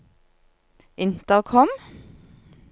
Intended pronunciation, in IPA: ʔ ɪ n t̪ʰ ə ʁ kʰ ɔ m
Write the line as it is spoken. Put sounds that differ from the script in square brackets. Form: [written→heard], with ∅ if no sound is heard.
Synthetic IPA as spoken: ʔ ɪ n [t̪ʰ→t̪] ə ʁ kʰ ɔ m